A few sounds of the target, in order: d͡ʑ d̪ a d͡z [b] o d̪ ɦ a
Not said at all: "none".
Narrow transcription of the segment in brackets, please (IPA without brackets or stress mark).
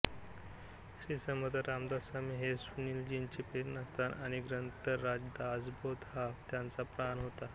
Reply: b